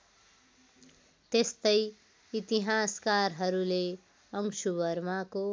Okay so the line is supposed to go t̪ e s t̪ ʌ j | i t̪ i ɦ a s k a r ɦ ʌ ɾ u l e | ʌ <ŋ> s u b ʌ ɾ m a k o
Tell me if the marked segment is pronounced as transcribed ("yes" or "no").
yes